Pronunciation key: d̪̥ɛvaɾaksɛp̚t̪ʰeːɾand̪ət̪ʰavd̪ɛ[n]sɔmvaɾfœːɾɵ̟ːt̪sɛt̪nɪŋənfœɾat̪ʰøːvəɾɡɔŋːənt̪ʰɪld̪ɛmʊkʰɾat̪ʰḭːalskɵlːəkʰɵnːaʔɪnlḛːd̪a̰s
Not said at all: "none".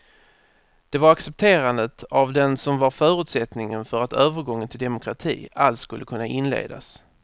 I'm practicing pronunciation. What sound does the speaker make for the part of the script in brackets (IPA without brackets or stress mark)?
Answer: n